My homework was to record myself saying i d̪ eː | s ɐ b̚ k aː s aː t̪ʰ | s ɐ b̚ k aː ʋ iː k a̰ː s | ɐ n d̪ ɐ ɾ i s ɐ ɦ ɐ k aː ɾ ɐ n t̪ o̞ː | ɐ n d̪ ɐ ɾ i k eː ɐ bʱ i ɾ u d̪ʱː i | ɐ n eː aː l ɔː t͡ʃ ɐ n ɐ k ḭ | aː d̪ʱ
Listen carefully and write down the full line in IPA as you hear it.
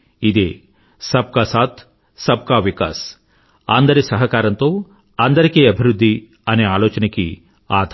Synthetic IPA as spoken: i d̪ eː | s ɐ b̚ k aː s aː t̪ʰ | s ɐ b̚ k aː ʋ i k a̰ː s | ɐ n d̪ ɐ ɾ i s ɐ ɦ ɐ k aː ɾ ɐ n t̪ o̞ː | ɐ n d̪ ɐ ɾ i k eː ɐ bʱ i ɾ u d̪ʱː i | ɐ n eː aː l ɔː t͡ʃ ɐ n ɐ k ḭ | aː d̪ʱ